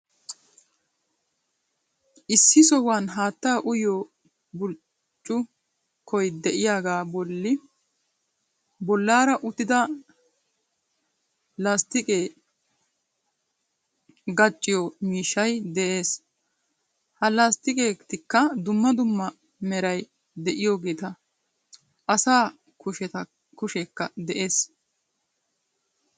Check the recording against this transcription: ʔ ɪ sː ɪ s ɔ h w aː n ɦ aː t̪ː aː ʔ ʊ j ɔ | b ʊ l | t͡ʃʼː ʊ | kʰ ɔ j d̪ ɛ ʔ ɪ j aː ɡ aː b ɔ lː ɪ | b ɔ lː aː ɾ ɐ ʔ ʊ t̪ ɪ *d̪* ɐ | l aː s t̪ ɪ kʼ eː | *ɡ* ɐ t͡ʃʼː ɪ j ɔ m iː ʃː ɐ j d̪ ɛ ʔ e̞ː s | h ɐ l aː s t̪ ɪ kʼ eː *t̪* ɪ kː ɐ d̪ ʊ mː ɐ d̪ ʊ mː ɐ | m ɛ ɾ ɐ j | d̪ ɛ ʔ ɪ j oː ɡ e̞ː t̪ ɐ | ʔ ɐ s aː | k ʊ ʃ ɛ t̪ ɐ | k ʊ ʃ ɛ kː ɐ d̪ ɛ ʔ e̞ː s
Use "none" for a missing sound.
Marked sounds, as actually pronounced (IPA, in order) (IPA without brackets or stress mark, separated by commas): d̪, ɡ, t̪